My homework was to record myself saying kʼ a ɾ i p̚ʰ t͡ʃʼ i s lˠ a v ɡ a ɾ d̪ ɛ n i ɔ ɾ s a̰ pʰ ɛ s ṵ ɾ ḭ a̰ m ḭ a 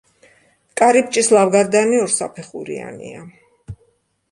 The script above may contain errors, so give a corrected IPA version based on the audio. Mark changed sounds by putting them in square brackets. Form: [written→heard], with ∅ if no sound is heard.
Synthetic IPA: kʼ a ɾ i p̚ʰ t͡ʃʼ i s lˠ a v ɡ a ɾ d̪ [ɛ→a] n i ɔ ɾ s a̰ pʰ ɛ [s→χ] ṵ ɾ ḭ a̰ [m→n] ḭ a